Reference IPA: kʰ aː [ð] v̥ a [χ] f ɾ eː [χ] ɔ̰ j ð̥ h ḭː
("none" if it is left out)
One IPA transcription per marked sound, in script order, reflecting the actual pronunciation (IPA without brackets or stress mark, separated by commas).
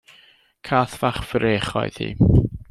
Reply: θ, χ, χ